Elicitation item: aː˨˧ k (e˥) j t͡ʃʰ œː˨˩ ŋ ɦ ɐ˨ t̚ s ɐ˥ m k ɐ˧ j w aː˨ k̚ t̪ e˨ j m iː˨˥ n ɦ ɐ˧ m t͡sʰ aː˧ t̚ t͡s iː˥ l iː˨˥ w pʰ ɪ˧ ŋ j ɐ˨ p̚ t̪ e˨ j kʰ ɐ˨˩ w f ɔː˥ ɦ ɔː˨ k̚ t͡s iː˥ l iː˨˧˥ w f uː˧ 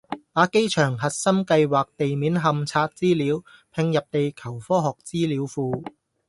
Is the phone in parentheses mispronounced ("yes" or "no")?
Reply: no